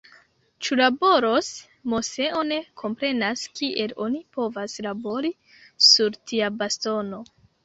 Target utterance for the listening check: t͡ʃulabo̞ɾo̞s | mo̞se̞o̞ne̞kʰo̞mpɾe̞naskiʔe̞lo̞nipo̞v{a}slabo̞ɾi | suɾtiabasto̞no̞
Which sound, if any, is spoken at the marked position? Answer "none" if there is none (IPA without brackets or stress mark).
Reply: a